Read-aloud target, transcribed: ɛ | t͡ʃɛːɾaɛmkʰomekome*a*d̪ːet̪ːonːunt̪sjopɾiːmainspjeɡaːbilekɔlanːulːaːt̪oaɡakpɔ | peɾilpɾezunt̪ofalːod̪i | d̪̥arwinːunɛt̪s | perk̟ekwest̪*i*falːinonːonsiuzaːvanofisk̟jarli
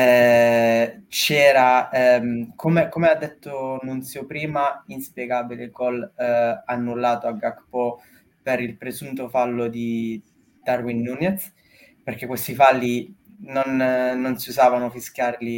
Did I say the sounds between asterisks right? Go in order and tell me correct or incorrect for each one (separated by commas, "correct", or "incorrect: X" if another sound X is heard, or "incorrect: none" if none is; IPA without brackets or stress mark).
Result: correct, correct